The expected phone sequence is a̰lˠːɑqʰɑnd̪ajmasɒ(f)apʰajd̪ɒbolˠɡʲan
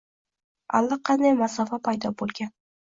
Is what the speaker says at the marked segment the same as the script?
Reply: yes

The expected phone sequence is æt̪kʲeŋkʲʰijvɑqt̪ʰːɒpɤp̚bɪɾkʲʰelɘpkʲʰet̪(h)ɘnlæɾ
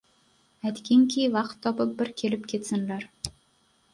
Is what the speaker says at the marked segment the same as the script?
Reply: no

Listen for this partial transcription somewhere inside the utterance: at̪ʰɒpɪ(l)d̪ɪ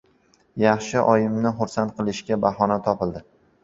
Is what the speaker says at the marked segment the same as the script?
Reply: yes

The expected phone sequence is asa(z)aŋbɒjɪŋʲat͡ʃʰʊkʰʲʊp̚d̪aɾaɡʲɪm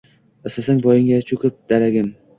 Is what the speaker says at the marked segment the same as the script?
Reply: no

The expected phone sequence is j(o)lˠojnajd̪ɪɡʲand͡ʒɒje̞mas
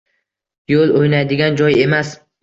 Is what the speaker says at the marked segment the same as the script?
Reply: yes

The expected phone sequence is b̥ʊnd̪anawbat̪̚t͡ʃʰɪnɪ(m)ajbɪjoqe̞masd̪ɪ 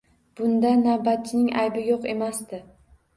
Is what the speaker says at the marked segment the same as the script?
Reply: no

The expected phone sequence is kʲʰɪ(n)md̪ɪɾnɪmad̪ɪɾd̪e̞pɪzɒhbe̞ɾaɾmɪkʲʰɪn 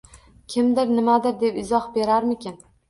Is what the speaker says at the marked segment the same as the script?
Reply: no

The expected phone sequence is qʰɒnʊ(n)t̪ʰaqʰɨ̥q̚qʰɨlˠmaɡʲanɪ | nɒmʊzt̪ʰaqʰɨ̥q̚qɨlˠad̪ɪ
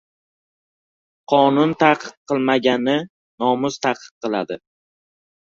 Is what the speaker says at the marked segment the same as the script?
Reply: yes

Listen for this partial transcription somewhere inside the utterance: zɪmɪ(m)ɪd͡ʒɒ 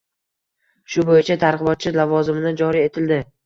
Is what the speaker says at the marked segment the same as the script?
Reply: no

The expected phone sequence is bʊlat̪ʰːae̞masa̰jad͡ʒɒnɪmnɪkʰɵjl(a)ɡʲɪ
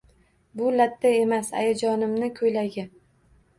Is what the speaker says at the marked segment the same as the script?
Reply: yes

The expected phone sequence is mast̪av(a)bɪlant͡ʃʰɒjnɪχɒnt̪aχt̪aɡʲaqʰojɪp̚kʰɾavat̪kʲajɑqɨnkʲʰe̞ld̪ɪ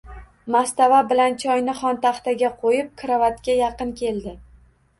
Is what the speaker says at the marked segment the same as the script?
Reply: yes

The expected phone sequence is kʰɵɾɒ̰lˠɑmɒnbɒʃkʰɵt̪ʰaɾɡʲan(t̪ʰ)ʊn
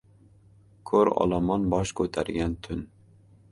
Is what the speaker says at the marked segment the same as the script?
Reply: yes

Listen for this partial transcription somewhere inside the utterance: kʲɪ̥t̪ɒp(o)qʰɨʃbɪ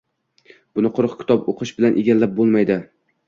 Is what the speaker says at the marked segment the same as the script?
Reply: yes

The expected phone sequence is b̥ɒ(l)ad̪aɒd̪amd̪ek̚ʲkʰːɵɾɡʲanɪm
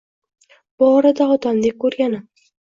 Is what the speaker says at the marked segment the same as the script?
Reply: no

